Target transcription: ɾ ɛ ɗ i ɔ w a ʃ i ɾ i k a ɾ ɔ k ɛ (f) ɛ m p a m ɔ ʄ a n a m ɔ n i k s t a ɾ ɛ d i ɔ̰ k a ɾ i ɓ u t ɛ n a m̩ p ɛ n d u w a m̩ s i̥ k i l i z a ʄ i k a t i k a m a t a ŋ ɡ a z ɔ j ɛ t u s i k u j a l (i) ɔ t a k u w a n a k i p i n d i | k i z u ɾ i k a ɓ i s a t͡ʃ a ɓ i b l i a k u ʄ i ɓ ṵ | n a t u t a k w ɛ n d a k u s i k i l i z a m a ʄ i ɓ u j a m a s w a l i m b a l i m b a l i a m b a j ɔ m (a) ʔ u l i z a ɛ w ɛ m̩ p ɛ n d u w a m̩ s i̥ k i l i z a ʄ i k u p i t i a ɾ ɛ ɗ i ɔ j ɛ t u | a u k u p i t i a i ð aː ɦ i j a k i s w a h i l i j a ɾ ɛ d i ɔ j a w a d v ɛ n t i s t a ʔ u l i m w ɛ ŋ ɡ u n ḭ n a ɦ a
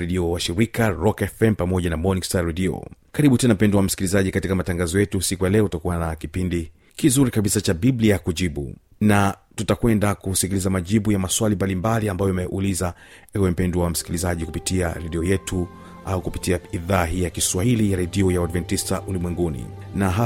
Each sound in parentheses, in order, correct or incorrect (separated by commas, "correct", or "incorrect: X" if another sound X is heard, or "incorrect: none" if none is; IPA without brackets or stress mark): correct, incorrect: ɛ, incorrect: ɛ